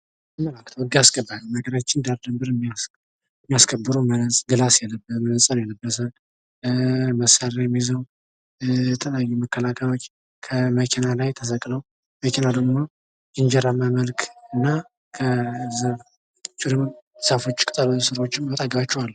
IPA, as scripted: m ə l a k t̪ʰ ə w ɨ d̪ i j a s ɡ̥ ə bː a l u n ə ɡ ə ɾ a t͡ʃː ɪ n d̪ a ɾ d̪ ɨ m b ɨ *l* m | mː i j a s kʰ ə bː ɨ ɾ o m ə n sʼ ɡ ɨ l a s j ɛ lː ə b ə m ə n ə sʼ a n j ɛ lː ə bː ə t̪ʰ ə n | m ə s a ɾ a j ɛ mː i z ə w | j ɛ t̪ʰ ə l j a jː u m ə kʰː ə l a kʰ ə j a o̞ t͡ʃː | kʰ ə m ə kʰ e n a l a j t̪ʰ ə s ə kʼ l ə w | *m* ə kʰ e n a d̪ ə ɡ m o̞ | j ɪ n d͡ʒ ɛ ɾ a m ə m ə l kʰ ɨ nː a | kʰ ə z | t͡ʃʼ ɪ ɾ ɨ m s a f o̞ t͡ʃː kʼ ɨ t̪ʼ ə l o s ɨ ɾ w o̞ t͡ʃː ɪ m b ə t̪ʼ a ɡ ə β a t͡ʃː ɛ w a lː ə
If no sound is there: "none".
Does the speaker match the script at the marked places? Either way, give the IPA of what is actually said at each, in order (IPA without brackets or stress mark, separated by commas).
ɾ, m